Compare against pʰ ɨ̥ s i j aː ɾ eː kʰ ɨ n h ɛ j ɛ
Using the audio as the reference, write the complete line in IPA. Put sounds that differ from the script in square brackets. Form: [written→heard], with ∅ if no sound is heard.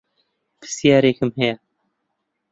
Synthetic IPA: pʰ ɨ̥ s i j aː ɾ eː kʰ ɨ [n→m] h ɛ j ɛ

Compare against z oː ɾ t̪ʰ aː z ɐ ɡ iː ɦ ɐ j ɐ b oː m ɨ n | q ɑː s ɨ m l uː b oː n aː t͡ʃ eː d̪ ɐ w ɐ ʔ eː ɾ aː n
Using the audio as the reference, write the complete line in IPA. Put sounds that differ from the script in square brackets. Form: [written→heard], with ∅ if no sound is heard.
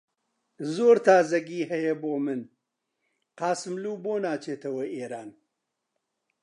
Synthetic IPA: z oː ɾ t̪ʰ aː z ɐ ɡ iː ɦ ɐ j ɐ b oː m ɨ n | q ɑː s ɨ m l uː b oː n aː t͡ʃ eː [d̪→t̪] ɐ w ɐ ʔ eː ɾ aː n

